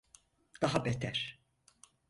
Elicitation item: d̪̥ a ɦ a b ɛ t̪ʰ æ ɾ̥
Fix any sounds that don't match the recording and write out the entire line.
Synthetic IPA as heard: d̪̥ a ɦ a b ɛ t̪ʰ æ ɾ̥